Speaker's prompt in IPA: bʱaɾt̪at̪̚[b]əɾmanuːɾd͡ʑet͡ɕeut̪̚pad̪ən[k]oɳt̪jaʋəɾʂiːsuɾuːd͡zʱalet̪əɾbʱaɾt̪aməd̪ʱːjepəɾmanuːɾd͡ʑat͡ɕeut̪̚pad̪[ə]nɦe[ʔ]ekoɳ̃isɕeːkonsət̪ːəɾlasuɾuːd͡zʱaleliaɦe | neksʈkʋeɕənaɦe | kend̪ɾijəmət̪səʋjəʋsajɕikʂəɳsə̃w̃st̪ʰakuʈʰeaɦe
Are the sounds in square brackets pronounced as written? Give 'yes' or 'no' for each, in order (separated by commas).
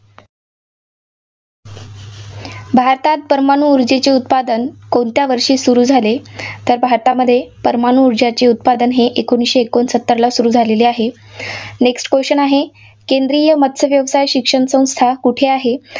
no, yes, yes, yes